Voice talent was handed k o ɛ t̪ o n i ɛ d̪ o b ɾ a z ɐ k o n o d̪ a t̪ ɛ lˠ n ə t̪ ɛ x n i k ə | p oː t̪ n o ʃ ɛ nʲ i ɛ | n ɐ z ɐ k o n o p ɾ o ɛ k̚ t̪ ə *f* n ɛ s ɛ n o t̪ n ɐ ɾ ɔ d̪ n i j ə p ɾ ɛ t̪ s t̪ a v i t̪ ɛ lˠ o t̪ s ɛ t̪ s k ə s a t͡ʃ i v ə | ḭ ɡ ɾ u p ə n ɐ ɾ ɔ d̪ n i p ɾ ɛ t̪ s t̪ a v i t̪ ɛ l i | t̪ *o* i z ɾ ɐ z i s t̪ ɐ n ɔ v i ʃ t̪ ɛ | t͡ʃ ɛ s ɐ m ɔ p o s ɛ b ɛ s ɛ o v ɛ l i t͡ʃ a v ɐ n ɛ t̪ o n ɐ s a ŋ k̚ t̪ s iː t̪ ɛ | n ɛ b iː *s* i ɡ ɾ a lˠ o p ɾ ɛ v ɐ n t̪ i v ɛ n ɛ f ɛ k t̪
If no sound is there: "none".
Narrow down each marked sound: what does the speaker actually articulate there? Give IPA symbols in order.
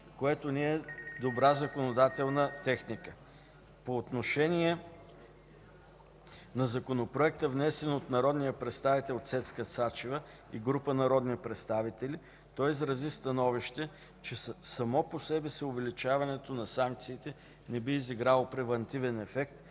v, ɔ, z

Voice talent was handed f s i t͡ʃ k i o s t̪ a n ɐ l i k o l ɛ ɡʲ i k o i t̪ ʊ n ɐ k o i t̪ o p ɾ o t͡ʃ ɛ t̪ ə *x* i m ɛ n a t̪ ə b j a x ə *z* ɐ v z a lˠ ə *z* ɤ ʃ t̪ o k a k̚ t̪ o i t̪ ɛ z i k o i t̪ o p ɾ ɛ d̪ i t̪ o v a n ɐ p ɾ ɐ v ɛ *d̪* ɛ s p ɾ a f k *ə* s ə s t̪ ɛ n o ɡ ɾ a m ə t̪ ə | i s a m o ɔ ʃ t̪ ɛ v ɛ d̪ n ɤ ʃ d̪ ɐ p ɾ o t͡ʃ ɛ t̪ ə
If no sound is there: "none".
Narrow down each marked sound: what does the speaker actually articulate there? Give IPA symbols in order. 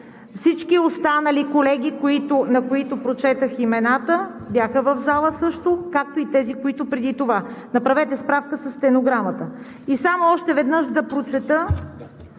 x, v, s, t̪, ə

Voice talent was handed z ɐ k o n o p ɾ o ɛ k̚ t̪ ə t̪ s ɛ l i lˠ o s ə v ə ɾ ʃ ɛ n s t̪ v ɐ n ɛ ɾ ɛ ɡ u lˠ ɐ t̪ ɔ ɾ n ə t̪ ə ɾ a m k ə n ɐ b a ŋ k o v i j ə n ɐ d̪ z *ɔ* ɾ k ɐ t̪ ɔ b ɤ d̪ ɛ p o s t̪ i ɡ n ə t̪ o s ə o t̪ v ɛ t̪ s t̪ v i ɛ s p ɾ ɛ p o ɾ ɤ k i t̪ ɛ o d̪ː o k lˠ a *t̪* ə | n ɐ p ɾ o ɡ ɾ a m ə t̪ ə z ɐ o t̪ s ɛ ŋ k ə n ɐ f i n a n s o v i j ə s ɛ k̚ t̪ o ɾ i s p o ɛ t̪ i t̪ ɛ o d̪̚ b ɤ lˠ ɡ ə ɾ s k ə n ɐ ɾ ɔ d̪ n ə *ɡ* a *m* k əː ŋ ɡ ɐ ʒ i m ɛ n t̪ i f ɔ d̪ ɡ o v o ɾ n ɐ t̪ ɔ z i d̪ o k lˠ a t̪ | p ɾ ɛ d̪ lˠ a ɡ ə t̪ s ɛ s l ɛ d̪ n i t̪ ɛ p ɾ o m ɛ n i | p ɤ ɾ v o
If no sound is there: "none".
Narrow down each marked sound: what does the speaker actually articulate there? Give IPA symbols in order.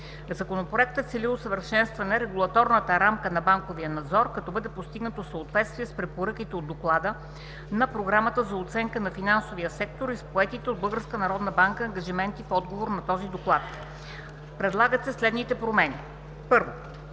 ɔ, d̪, b, ŋ

